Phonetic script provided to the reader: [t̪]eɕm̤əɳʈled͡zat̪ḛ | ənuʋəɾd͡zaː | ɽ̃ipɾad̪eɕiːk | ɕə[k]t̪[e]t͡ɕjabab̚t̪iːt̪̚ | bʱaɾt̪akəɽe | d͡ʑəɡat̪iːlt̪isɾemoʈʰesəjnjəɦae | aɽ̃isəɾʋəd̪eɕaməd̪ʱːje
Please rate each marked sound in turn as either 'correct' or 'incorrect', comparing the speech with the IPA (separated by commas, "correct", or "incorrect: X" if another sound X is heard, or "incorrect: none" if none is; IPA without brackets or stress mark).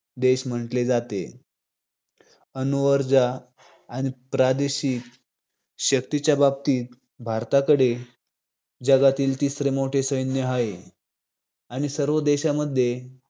incorrect: d̪, correct, incorrect: i